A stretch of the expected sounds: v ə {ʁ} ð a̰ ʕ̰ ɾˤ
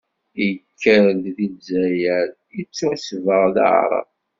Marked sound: correct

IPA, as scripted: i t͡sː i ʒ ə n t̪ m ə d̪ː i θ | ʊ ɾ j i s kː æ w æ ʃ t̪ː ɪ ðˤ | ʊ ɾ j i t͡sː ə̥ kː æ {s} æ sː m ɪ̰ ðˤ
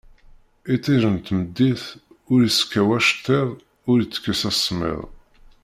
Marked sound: correct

